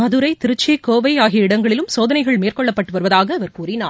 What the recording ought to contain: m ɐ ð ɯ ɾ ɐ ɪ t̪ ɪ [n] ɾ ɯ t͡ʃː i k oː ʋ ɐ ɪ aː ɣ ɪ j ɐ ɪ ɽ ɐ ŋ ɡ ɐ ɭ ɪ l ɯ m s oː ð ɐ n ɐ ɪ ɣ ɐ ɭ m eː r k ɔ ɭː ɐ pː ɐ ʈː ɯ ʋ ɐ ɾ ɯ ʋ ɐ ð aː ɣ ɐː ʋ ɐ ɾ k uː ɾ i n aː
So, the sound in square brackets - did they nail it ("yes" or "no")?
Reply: no